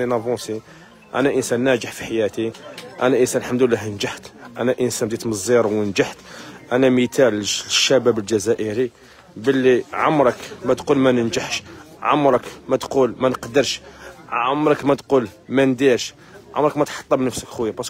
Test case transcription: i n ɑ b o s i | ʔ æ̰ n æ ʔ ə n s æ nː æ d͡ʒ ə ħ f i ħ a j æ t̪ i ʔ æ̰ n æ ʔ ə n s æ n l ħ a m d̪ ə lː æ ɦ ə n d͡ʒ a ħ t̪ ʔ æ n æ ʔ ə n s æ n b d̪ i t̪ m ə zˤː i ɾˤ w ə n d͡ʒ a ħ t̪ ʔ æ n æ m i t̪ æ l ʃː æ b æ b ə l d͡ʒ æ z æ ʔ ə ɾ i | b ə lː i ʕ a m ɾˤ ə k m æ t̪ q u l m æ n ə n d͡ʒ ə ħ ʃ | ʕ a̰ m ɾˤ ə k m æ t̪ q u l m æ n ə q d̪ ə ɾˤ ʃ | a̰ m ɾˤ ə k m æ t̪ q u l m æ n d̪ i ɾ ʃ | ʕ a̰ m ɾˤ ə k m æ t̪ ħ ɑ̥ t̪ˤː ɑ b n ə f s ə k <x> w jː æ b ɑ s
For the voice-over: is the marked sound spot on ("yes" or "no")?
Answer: yes